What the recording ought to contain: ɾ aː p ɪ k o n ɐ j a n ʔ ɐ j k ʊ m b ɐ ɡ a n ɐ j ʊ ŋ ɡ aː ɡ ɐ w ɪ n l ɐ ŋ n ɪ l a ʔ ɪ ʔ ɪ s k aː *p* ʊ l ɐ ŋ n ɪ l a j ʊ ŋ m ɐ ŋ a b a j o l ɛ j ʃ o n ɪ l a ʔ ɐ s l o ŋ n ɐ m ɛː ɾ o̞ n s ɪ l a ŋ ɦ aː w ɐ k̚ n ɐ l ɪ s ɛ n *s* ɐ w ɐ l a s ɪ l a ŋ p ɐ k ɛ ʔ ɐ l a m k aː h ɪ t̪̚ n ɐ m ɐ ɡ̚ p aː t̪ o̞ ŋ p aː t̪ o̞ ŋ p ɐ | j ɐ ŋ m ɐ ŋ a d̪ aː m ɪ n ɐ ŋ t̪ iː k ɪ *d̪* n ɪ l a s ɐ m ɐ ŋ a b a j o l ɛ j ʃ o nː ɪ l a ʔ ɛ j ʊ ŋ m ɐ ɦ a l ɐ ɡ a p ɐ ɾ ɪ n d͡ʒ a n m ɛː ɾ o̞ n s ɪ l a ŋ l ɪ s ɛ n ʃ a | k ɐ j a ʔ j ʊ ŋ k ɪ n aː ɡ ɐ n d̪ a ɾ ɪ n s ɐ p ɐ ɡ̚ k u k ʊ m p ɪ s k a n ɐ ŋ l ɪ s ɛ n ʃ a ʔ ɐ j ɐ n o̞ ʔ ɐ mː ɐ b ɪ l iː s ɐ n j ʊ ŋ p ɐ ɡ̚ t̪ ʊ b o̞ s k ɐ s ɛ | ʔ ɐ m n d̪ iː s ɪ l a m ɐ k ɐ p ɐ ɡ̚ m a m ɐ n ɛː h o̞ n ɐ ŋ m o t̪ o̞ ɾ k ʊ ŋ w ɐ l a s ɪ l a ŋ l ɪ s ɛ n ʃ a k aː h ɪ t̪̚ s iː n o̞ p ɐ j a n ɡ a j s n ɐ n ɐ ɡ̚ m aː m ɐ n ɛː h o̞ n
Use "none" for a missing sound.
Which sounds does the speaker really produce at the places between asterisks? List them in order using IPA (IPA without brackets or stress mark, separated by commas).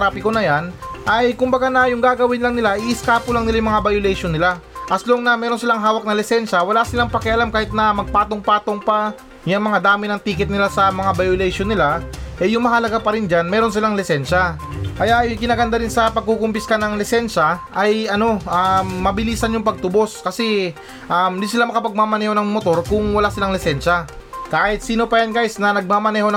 p, ʃ, t̪